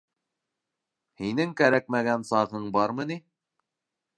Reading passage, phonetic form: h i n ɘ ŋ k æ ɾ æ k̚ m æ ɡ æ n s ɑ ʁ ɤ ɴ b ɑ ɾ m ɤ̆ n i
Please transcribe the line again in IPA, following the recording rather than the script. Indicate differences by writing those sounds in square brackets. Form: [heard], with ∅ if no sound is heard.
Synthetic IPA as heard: h i n ɘ ŋ k æ ɾ æ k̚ m æ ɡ æ n s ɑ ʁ ɤ ɴ b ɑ ɾ m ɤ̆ n i